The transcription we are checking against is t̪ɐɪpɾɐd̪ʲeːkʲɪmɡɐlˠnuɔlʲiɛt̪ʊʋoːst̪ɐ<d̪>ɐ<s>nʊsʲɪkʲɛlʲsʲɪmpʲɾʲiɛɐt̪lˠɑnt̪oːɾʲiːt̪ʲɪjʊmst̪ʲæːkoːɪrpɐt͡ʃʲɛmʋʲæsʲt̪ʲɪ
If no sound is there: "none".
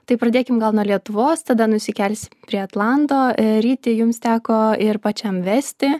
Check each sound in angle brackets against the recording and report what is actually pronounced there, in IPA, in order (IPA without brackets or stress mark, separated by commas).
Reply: d̪, none